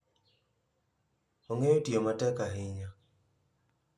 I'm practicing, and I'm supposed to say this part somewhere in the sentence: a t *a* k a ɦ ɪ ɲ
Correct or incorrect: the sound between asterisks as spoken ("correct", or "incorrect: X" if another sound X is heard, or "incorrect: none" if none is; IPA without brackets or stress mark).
incorrect: ɛ